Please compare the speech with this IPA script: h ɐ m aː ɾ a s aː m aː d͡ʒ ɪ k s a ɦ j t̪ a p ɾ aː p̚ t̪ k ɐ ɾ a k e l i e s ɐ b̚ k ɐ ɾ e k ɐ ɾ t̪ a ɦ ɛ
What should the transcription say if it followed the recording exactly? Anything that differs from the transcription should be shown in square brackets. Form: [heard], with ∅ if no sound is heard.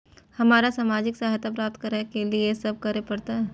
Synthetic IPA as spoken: h ɐ m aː ɾ a s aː m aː d͡ʒ ɪ k s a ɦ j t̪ a p ɾ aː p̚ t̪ k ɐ ɾ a k e l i e s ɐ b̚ k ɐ ɾ e [p] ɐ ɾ t̪ a ɦ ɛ